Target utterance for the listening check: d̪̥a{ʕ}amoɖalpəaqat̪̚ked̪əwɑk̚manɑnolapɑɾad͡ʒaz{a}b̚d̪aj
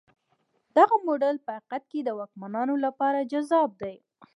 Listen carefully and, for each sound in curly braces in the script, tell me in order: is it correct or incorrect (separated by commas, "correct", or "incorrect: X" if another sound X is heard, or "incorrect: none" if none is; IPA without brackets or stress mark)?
incorrect: ɣ, incorrect: ɑ